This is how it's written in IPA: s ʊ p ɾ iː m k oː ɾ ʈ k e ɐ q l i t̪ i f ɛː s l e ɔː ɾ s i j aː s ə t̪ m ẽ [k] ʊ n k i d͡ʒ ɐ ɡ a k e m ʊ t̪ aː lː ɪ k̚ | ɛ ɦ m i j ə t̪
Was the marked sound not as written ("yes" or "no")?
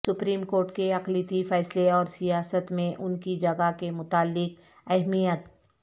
yes